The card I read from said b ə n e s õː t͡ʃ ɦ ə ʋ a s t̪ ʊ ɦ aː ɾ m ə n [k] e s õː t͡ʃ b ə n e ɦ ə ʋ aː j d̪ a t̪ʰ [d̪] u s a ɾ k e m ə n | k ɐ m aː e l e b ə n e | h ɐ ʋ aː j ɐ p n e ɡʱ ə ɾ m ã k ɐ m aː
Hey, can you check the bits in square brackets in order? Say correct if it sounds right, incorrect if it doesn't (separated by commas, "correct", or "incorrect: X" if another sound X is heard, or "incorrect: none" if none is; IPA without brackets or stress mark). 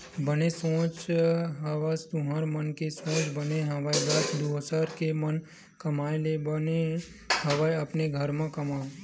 correct, correct